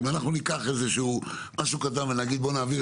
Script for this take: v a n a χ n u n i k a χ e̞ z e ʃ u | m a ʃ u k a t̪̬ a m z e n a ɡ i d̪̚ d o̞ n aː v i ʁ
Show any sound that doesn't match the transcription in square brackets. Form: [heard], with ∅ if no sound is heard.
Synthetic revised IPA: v a n a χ n u n i k a χ e̞ z e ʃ u | m a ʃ u k a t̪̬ a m [v] e n a ɡ i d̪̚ [b] o̞ n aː v i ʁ